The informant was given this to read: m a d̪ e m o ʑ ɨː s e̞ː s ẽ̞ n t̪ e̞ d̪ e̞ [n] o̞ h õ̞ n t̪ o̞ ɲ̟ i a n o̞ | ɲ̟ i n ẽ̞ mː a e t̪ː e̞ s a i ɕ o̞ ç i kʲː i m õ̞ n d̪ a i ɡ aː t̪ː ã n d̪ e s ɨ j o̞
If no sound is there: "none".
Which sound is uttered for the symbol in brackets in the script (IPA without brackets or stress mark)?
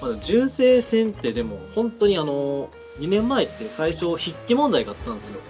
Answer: m